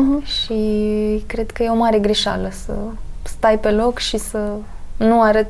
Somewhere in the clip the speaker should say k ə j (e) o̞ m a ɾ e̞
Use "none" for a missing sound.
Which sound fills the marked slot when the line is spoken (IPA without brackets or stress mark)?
e